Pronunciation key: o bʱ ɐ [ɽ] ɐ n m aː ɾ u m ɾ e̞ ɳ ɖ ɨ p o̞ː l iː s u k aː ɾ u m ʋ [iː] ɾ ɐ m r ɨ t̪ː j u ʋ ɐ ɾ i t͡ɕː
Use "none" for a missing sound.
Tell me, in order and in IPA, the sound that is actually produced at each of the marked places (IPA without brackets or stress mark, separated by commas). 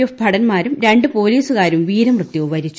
ɽ, iː